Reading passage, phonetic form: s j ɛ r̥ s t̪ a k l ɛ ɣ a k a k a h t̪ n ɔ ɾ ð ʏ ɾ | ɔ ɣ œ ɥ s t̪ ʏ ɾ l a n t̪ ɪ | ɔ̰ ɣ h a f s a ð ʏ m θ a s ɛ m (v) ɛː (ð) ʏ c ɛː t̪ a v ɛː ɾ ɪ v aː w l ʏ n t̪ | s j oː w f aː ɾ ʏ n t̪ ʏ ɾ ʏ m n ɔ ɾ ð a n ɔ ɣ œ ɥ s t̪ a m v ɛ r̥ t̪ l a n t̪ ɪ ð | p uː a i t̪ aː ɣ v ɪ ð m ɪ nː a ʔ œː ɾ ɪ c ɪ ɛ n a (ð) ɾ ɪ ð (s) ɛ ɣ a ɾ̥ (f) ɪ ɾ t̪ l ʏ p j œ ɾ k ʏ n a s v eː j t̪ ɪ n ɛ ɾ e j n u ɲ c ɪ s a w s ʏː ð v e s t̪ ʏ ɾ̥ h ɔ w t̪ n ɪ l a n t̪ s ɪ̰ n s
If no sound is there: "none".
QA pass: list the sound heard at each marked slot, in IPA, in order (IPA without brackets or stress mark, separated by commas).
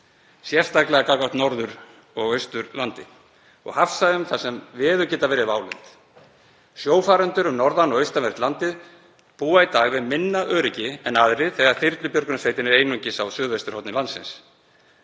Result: v, ð, ð, θ, θ